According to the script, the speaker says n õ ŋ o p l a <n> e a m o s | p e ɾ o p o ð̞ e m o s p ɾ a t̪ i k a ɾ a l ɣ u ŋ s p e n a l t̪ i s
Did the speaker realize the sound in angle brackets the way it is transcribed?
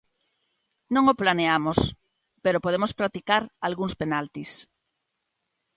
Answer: yes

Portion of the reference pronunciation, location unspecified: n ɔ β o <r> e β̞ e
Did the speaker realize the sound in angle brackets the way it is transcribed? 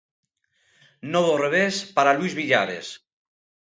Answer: yes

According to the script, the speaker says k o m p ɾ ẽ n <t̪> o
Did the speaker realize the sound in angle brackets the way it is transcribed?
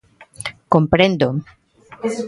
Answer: no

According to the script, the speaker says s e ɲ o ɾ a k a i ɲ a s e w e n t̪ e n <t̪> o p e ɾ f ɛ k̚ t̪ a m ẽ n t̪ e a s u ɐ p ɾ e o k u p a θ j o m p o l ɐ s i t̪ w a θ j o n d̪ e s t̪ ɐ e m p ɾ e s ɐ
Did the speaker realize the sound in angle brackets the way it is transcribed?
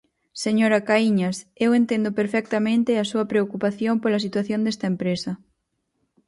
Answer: no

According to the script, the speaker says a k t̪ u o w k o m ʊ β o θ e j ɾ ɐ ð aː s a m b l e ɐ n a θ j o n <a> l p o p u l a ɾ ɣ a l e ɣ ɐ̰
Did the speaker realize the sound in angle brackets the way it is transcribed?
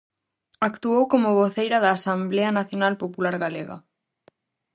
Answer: yes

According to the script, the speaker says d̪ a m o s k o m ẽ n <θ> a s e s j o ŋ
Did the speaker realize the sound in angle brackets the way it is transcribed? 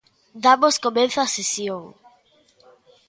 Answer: yes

